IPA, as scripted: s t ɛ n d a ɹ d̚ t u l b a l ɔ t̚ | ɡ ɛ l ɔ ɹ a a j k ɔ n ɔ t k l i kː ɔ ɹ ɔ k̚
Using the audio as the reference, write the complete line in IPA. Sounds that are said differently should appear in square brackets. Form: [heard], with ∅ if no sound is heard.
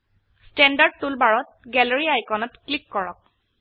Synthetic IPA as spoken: s t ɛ n d a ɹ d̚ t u l b a [ɹ] ɔ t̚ | ɡ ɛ l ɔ ɹ [i] a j k ɔ n ɔ t k l i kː ɔ ɹ ɔ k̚